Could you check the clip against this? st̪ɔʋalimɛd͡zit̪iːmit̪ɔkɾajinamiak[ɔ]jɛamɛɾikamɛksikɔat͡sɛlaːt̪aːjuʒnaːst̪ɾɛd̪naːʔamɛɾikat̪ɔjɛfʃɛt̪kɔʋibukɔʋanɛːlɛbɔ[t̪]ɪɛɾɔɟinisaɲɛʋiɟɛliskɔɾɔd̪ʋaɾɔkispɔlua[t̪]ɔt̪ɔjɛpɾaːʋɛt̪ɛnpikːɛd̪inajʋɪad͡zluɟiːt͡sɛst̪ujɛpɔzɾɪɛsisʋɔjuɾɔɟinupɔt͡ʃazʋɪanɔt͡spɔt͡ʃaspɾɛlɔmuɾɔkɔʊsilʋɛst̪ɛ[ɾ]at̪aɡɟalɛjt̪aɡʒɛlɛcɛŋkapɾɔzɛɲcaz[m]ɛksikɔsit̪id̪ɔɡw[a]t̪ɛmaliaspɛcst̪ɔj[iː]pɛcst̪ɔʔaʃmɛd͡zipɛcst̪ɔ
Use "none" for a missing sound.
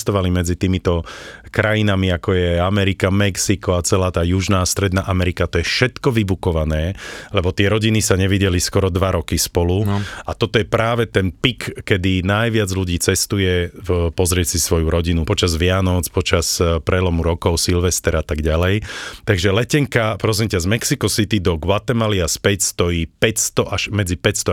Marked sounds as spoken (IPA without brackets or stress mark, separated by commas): ɔ, t̪, t̪, ɾ, m, a, iː